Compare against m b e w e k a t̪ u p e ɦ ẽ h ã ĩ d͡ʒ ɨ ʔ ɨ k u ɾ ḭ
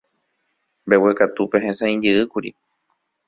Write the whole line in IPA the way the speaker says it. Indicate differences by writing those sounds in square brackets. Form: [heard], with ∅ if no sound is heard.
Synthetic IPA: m b e w e k a t̪ u p e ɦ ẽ [s] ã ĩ d͡ʒ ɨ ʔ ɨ k u ɾ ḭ